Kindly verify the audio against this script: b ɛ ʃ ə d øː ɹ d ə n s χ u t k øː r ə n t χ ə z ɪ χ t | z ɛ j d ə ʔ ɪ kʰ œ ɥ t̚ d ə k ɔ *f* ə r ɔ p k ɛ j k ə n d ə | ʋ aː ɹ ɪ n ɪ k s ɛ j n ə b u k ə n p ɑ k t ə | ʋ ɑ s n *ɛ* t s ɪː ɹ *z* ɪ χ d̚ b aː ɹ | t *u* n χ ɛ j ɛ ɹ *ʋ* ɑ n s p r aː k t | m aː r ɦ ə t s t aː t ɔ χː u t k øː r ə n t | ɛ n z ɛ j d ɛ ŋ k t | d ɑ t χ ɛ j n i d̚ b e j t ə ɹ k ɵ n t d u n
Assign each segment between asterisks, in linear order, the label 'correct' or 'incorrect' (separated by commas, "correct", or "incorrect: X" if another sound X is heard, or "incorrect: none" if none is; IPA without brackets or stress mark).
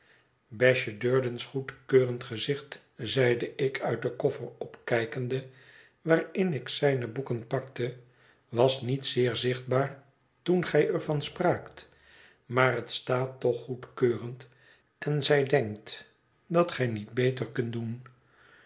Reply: correct, incorrect: i, correct, correct, incorrect: v